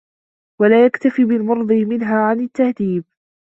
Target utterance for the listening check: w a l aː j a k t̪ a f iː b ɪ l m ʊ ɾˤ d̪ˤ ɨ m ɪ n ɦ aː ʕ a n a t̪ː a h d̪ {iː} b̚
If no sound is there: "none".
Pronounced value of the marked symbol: iː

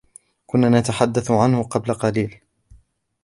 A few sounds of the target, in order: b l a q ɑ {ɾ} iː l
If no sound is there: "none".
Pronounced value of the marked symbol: l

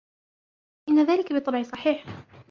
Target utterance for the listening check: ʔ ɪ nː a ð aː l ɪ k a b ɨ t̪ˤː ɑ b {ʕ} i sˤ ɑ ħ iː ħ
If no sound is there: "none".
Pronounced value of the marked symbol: ʕ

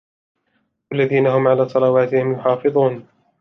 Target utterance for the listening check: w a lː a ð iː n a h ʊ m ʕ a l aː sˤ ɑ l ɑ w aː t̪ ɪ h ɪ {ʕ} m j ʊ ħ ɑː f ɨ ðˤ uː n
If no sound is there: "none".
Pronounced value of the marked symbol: none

